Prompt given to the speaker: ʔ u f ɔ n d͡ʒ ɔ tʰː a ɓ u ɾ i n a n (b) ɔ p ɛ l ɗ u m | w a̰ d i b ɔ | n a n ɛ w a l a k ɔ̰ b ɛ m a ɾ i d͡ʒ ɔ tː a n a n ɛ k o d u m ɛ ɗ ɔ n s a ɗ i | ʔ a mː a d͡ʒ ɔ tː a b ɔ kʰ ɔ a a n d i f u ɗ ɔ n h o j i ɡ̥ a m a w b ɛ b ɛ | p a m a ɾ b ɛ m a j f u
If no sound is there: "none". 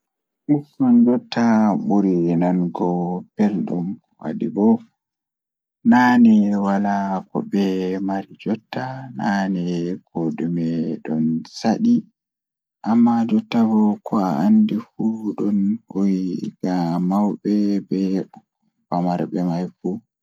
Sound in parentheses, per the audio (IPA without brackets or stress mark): ɡ